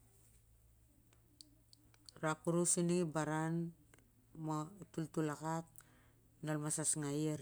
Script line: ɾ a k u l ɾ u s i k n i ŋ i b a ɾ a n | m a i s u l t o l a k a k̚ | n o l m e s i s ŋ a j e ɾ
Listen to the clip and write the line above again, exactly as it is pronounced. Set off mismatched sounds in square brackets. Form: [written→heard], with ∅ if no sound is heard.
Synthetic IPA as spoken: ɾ a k u [l→∅] ɾ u s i [k→∅] n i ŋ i b a ɾ a n | m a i [s→t] u l t [o→u] l a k a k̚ | n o l m [e→a] s [i→a] s ŋ a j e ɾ